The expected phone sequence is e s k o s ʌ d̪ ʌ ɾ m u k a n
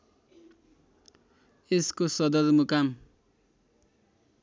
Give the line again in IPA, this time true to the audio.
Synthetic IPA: e s k o s ʌ d̪ ʌ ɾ m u k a m